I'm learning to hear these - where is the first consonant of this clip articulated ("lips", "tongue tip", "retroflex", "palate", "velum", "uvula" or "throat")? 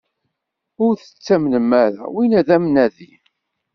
tongue tip